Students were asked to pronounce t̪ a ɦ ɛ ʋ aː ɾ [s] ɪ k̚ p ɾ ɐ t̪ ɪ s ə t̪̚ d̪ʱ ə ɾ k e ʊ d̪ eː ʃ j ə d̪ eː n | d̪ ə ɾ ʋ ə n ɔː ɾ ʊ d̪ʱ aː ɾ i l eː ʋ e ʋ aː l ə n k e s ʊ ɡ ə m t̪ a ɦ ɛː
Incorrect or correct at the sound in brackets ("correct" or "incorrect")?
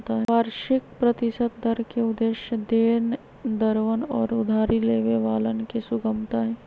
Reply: incorrect